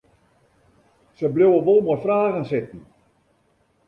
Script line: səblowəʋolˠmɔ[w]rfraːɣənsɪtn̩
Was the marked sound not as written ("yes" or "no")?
yes